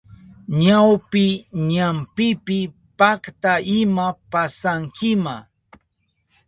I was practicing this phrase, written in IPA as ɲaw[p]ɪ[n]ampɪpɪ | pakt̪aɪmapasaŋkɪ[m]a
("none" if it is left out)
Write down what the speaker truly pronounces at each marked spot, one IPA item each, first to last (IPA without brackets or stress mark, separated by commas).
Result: p, ɲ, m